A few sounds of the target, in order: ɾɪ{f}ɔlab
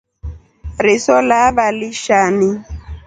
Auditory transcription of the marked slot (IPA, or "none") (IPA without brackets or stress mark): s